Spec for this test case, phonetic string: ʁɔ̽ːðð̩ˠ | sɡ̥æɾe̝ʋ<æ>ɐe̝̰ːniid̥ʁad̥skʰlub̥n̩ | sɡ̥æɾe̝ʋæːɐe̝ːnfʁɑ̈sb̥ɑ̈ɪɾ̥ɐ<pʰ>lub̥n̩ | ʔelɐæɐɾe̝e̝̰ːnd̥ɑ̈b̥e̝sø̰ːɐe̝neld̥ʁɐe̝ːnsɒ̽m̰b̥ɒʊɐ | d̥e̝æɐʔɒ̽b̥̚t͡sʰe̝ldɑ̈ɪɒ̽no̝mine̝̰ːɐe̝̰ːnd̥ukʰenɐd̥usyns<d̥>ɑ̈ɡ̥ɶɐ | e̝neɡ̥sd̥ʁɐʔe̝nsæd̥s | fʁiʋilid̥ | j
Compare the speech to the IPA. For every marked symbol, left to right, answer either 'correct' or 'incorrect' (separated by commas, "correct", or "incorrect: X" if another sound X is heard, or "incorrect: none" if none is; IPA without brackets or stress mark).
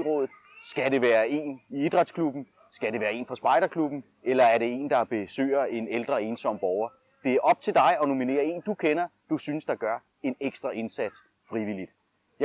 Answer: incorrect: æː, incorrect: kʰ, correct